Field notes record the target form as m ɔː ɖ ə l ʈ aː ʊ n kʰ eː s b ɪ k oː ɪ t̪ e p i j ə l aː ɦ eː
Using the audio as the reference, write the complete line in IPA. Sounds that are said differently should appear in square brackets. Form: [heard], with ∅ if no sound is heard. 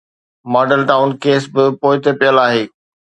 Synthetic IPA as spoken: m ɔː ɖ ə l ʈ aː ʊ n [k] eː s b ɪ [p] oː ɪ t̪ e p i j ə l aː ɦ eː